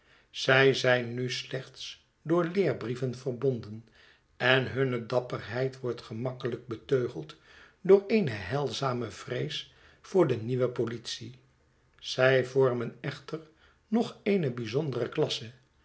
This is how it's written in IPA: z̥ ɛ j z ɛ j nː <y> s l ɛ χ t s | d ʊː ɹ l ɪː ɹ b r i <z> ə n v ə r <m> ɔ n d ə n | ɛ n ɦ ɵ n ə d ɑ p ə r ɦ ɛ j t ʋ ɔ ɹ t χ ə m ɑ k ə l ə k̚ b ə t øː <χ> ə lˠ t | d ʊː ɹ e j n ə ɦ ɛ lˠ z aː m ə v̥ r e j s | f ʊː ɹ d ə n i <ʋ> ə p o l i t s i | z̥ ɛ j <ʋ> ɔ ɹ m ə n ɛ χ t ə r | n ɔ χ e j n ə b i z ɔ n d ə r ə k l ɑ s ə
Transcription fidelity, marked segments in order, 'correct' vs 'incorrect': correct, incorrect, incorrect, correct, correct, incorrect

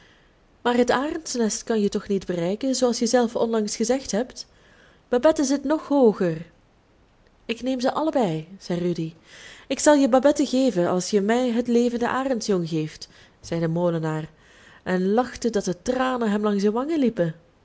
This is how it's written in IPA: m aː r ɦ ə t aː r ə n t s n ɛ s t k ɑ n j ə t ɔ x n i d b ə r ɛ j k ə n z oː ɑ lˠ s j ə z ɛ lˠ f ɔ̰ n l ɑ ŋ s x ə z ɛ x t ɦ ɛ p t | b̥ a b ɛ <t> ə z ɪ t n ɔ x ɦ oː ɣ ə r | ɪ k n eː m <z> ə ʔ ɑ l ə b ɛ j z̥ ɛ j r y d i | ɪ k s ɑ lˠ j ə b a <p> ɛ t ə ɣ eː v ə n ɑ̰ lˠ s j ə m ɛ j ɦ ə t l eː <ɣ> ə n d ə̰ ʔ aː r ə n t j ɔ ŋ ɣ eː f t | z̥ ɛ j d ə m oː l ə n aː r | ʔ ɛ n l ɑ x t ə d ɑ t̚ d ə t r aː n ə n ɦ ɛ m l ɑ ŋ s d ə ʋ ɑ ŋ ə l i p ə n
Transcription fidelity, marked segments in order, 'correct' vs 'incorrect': correct, correct, incorrect, incorrect

